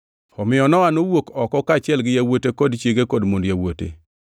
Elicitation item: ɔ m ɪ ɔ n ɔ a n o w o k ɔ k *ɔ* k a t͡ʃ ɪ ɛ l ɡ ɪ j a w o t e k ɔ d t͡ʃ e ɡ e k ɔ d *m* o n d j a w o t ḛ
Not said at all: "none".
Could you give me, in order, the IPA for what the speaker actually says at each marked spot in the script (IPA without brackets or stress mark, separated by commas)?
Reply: ɔ, m